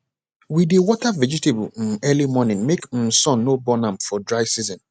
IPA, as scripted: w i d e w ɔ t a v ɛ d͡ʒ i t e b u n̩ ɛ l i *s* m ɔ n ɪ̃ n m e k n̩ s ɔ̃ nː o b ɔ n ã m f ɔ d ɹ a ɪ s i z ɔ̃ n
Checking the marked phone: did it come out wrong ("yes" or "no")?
yes